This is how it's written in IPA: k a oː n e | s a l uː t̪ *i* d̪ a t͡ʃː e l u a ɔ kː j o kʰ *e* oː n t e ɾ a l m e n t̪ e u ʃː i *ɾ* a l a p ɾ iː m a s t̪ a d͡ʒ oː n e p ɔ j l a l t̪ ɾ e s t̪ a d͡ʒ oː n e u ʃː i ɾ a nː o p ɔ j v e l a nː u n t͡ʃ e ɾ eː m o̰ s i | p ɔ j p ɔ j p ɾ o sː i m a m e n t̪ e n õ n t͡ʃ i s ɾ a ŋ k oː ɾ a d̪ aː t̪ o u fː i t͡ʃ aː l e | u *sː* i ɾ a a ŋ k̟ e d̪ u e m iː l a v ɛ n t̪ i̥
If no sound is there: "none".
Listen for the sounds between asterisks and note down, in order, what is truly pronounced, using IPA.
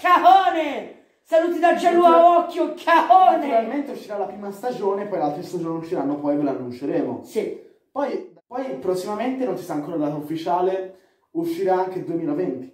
i, a, ɾ, ʃː

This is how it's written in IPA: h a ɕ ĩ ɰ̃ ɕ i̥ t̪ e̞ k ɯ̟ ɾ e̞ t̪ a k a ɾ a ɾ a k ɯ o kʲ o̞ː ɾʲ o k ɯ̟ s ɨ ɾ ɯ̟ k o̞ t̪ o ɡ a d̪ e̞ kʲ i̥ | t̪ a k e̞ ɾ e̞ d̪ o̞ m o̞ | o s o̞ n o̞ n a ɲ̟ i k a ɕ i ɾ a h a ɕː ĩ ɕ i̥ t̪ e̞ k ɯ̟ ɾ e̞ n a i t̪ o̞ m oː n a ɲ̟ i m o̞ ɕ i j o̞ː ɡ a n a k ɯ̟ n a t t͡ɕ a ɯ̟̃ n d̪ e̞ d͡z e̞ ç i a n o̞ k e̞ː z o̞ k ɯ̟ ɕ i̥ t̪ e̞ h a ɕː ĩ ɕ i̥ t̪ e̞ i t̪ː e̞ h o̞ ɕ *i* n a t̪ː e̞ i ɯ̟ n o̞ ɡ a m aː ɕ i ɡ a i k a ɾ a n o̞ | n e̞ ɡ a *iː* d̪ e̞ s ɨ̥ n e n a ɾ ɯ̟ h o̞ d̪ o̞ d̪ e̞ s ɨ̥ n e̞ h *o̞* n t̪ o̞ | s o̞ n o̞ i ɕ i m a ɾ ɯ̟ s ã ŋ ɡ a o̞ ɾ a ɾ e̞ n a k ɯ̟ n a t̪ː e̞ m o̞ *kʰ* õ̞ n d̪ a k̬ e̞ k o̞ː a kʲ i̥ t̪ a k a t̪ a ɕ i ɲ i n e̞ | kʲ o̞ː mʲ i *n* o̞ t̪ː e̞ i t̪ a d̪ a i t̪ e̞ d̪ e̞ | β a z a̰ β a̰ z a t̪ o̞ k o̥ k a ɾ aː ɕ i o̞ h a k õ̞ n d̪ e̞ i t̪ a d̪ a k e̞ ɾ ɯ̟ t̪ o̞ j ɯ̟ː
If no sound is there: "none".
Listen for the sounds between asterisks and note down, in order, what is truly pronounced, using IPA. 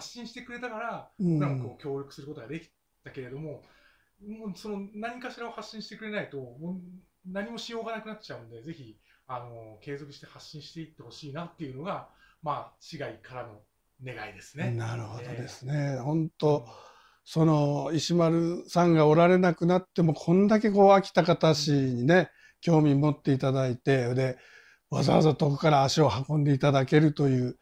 iː, i, õ̞, kʰ, m

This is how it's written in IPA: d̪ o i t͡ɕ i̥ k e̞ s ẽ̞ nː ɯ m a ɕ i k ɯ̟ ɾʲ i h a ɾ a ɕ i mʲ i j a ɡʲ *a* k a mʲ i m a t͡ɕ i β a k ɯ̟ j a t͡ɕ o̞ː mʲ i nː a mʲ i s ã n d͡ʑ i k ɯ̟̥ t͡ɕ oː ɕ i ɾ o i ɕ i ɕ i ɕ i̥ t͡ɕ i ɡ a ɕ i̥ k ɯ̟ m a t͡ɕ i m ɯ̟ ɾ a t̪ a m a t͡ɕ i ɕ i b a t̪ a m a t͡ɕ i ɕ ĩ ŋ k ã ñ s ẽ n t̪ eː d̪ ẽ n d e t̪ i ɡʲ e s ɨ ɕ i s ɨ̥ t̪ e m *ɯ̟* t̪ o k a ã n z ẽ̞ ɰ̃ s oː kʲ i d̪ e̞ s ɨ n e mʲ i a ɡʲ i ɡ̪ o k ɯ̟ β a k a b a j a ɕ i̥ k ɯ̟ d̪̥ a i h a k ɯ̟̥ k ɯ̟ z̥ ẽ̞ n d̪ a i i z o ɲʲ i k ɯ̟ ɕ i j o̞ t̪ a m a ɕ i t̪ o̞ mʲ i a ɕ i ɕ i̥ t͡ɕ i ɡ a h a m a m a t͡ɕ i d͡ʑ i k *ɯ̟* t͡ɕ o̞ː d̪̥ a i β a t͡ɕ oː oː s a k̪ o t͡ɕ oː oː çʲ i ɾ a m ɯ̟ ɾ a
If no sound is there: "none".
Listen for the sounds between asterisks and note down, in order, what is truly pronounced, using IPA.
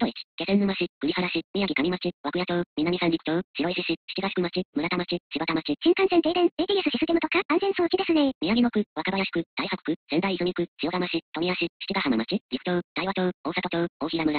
i, ɯ̟, ɯ̟

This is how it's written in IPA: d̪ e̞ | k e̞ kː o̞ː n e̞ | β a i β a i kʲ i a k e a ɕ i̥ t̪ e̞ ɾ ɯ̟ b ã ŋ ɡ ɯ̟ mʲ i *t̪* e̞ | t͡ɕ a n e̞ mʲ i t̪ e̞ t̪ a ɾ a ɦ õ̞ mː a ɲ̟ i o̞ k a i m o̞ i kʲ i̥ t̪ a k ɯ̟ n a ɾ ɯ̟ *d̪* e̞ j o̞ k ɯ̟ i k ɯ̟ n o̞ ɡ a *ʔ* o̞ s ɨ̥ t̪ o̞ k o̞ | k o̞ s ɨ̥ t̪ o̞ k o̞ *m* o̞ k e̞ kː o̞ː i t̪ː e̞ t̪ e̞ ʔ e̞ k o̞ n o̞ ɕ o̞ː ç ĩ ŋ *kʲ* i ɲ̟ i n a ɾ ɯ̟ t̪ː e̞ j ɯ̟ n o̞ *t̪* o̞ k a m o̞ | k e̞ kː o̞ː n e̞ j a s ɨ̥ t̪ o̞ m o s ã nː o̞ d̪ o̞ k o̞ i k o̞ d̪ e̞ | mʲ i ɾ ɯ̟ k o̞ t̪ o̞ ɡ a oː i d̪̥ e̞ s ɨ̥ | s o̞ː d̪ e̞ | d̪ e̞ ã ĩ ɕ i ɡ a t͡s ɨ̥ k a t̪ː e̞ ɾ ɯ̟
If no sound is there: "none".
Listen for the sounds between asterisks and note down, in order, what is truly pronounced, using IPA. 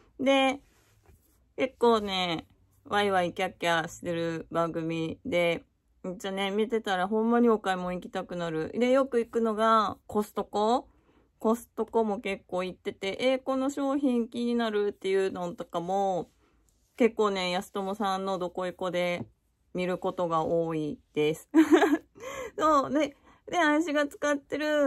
d̪, d̪, k, m, kʲ, t̪

